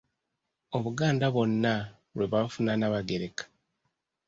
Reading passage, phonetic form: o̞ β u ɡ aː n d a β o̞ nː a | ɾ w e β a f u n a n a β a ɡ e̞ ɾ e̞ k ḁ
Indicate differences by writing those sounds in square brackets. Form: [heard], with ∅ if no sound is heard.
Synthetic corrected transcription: o̞ β u ɡ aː n d a β o̞ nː a | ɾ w e β a f u n a n a β a ɡ e̞ ɾ e̞ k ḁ